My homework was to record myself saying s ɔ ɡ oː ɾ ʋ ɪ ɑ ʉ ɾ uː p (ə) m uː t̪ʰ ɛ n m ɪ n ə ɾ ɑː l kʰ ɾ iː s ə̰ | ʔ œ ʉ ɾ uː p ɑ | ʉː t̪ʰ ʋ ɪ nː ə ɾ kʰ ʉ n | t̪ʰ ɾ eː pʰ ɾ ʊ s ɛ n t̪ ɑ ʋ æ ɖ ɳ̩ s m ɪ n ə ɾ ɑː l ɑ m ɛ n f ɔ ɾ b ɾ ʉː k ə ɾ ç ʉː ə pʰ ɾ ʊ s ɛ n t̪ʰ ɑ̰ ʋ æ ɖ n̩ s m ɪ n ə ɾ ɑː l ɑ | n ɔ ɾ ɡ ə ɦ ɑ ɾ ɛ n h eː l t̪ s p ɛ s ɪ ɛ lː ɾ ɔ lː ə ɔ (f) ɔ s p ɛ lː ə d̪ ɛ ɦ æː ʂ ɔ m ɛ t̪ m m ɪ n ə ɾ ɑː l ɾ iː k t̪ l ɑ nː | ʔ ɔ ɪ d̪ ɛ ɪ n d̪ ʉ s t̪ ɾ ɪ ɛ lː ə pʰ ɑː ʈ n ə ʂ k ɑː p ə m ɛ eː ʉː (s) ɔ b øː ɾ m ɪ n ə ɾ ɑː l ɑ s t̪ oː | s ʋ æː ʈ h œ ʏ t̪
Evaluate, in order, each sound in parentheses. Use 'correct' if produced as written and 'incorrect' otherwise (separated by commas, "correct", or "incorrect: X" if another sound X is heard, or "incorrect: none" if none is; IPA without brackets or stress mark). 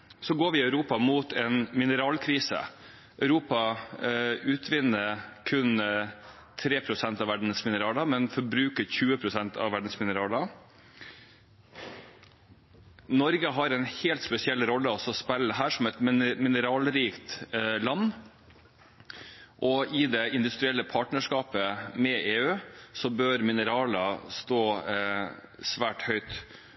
incorrect: ɑ, incorrect: s, correct